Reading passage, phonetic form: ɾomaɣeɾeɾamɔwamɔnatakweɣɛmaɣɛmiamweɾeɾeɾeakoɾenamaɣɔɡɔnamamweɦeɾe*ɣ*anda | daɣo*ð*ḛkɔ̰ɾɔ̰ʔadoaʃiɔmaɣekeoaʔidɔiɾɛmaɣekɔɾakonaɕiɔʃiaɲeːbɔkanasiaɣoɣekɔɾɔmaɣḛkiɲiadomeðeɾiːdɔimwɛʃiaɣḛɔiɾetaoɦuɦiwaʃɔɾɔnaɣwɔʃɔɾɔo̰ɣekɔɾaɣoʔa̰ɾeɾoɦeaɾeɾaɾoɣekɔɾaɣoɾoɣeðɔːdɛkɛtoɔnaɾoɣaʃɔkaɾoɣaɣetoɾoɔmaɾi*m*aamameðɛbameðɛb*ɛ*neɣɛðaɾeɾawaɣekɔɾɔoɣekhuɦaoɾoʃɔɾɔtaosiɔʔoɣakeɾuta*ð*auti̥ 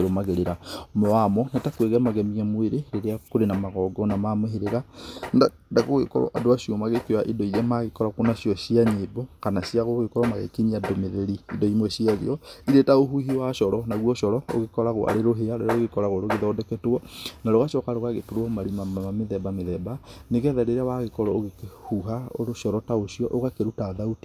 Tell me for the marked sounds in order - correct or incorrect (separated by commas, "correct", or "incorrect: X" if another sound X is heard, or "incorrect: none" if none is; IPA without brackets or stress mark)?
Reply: correct, incorrect: ɣ, correct, incorrect: a, correct